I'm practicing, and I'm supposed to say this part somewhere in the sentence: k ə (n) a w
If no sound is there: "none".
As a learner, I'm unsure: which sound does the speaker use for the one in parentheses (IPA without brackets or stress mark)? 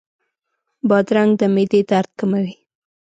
m